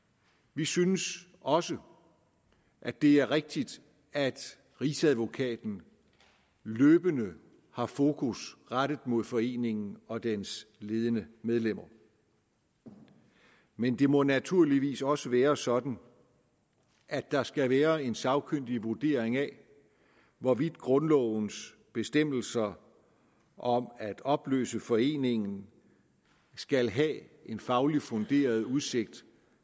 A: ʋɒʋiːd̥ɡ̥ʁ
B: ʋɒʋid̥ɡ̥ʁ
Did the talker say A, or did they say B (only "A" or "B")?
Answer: B